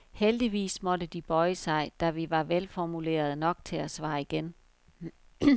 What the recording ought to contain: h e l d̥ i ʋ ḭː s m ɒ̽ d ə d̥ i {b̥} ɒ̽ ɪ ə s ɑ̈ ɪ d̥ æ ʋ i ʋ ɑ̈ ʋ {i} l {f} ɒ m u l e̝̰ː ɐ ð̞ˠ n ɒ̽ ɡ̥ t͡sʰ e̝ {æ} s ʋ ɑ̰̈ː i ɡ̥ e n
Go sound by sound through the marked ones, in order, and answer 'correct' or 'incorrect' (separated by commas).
correct, incorrect, correct, correct